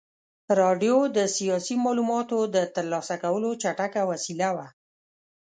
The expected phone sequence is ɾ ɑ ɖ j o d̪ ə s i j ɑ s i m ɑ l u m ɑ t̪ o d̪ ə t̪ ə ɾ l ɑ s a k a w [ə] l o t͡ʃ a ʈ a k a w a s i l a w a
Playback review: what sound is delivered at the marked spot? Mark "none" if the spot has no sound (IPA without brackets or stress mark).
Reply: ə